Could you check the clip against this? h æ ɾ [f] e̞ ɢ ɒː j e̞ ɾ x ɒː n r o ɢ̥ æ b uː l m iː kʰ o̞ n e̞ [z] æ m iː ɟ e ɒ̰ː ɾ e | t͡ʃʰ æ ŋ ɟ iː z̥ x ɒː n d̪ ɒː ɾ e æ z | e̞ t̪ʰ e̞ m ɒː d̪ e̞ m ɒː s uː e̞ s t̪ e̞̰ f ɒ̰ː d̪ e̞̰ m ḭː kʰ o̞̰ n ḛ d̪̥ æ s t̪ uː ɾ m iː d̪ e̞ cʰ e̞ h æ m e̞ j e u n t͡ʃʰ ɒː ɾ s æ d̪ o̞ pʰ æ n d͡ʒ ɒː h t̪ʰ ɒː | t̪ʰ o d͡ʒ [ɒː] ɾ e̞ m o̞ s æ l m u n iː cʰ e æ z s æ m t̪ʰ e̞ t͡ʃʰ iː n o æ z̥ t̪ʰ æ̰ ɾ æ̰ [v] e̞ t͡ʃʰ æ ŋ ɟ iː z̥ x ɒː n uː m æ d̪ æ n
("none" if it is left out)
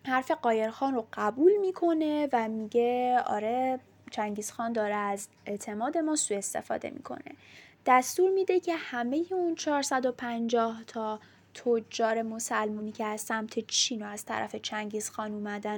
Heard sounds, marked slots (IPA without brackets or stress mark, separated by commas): f, v, ɒː, f